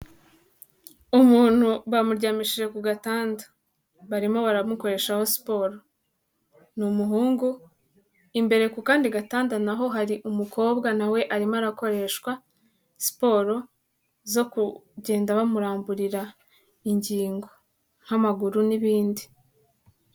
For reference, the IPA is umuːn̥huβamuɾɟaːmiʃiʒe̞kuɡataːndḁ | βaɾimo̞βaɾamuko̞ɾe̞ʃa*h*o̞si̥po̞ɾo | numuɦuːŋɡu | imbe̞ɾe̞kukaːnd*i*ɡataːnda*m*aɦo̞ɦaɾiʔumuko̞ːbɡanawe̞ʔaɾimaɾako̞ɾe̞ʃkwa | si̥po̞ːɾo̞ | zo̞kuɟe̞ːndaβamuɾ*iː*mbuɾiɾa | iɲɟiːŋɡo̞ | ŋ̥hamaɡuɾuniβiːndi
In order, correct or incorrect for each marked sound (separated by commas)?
correct, correct, incorrect, incorrect